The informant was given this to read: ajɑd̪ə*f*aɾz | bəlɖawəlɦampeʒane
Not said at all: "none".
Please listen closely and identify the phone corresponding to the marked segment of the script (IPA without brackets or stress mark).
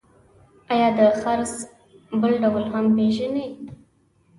x